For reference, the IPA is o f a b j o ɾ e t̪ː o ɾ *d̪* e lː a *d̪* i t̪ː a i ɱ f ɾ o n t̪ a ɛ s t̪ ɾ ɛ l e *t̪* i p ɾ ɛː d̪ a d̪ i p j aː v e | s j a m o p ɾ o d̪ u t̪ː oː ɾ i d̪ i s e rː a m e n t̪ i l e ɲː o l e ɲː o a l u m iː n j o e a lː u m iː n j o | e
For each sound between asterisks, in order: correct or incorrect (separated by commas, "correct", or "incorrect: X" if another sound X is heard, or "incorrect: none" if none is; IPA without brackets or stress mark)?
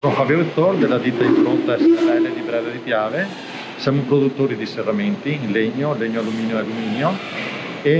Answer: correct, correct, incorrect: d̪